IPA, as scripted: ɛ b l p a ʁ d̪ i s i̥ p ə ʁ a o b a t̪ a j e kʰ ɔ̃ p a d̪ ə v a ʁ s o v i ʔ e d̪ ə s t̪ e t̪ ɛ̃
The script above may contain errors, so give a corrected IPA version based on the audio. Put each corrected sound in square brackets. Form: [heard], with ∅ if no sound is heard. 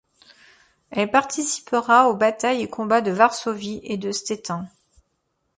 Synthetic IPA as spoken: ɛ [∅] l p a ʁ [t̪] i s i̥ p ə ʁ a o b a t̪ a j e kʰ ɔ̃ [b] a d̪ ə v a ʁ s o v i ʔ e d̪ ə s t̪ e t̪ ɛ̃